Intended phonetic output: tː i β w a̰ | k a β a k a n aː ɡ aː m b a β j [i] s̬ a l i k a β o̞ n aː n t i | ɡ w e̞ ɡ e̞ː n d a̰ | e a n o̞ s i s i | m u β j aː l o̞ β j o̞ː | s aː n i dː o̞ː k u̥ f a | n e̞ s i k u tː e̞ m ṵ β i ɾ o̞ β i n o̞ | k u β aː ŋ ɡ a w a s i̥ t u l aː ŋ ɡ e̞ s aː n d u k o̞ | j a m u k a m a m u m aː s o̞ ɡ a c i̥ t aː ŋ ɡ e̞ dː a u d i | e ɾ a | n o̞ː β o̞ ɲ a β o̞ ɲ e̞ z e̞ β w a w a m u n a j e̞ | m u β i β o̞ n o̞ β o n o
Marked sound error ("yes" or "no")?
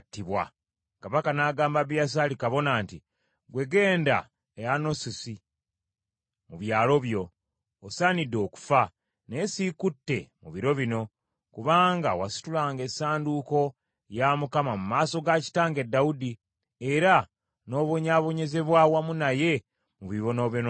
yes